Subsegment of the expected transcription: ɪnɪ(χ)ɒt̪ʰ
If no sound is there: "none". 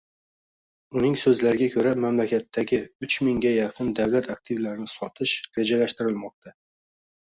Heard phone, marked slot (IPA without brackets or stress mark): s